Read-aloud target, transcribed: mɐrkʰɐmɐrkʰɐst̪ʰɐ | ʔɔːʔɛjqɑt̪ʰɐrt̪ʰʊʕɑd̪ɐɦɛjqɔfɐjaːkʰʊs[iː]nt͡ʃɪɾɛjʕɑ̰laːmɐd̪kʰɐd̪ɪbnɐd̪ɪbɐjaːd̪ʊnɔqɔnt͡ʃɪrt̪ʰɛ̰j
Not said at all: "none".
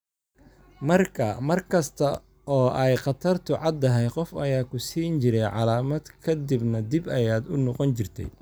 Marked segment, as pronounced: iː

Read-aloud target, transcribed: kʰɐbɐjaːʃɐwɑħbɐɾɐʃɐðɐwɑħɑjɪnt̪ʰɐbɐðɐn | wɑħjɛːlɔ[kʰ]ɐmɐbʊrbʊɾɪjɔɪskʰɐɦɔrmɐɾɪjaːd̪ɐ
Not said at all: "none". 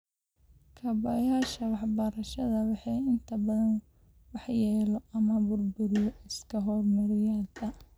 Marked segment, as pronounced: none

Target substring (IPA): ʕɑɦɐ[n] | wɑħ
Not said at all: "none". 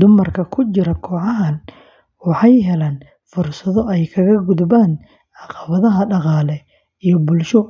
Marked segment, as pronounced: n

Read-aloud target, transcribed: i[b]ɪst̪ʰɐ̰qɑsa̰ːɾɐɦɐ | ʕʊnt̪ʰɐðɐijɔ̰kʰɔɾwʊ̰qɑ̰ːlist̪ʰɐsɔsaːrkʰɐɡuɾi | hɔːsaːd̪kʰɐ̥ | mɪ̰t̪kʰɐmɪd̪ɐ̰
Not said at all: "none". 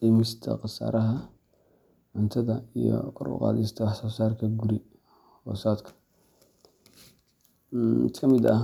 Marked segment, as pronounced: m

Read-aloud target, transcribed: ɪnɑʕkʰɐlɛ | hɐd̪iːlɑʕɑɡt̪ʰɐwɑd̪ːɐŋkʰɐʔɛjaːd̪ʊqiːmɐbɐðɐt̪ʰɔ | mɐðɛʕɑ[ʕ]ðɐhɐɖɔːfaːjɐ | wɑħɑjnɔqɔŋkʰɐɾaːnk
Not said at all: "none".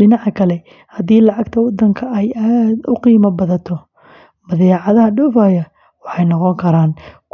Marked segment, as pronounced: none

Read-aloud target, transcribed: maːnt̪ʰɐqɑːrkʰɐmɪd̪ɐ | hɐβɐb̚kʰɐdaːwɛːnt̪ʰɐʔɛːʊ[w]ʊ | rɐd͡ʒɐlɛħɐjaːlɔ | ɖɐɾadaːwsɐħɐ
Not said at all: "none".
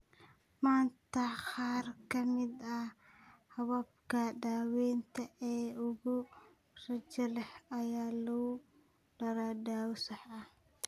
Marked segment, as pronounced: ɣ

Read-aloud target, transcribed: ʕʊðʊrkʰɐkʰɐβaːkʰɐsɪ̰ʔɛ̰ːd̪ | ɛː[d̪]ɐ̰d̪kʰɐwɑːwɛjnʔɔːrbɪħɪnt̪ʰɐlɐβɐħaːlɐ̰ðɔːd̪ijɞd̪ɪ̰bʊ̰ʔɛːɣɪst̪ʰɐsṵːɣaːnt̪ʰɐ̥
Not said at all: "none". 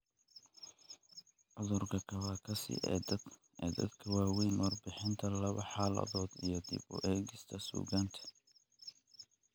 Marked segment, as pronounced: d̪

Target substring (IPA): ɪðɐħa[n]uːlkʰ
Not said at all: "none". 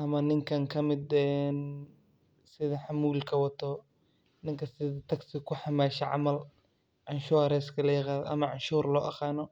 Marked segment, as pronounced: m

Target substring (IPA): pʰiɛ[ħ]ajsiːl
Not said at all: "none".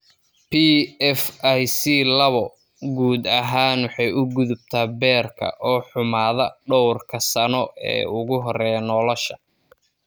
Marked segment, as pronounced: f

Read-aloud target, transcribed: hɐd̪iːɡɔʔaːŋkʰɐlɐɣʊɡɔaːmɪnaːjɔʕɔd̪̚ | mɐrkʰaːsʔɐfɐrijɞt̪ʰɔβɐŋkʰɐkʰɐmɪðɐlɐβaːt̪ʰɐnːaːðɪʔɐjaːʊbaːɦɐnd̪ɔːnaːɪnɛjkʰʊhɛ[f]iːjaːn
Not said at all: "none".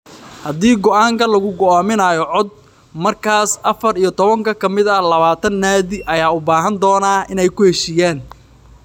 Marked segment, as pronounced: ʃ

